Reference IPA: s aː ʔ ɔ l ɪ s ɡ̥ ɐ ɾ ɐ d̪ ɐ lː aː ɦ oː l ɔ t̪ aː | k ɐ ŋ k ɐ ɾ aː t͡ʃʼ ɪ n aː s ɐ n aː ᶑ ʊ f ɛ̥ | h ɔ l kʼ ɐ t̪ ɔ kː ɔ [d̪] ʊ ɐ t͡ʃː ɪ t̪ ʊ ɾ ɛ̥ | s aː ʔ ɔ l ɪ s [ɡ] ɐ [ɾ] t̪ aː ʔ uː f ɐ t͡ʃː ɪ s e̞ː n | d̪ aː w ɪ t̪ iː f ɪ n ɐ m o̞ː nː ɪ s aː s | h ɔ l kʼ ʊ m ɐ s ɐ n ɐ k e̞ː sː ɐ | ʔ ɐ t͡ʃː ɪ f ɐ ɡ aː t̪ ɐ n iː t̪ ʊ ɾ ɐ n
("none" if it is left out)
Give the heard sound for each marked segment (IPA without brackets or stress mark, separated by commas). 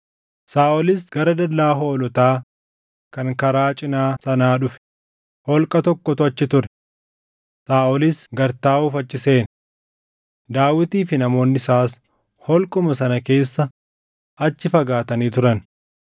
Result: t̪, ɡ, ɾ